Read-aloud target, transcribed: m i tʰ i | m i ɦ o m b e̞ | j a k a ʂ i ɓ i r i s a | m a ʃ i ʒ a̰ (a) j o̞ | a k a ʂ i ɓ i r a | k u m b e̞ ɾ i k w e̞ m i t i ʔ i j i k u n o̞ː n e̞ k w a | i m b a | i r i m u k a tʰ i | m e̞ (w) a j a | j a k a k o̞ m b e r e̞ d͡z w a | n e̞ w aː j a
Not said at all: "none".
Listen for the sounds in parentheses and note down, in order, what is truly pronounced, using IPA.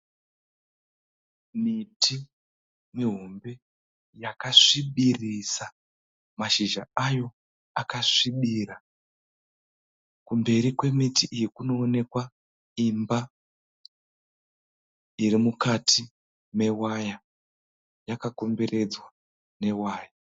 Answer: a, w

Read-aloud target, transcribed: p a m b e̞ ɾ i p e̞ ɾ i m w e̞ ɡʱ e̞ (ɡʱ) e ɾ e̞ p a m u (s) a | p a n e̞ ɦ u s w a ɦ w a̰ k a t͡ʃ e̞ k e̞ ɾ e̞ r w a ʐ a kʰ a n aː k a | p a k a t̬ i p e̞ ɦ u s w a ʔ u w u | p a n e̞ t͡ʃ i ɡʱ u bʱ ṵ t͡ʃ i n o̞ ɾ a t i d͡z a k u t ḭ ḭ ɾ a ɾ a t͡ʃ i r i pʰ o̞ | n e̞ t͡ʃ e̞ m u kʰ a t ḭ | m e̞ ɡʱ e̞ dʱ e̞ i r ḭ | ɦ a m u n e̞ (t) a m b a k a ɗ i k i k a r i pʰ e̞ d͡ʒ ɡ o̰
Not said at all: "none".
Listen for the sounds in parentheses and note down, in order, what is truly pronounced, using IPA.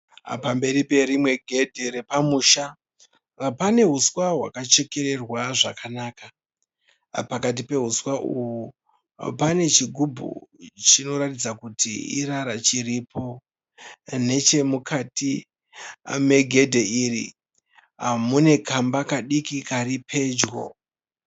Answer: dʱ, ʃ, k

